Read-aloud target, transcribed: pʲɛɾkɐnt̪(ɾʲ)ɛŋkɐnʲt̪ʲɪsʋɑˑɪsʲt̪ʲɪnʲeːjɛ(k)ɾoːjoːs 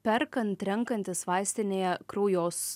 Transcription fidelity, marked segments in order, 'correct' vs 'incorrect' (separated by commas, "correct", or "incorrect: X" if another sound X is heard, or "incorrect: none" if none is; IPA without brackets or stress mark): correct, correct